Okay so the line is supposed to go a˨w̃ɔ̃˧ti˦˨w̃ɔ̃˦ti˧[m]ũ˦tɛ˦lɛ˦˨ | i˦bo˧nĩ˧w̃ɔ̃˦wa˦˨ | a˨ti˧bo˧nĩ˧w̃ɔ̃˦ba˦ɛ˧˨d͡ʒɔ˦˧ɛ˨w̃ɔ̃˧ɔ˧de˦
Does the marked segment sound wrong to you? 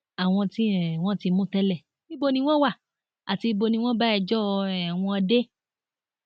no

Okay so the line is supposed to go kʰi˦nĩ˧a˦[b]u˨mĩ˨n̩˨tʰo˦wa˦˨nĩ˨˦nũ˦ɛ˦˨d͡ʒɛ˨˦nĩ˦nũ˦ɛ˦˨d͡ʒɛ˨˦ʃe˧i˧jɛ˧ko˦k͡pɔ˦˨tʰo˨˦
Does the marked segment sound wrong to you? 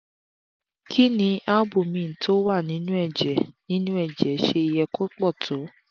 no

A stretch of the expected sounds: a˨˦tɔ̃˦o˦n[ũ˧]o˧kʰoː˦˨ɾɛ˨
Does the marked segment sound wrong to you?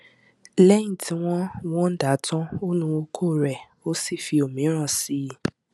no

